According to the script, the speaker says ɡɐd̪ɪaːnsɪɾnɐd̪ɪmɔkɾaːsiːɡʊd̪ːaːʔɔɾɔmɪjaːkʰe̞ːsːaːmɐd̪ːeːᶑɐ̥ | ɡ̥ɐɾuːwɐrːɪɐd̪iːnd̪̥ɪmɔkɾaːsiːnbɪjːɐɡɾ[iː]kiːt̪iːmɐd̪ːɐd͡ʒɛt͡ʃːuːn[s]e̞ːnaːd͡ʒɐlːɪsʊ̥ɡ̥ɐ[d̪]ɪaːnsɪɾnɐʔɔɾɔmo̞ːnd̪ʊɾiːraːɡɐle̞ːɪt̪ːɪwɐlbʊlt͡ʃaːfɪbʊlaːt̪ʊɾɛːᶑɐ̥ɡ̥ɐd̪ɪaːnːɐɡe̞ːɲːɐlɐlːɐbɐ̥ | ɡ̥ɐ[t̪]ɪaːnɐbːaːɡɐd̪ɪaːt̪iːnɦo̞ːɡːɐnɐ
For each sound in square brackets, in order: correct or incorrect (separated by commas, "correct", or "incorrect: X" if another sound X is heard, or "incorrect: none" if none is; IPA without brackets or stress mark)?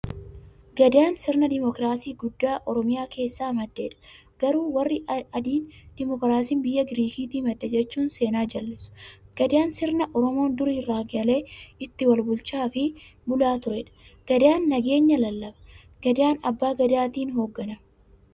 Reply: correct, correct, correct, incorrect: d̪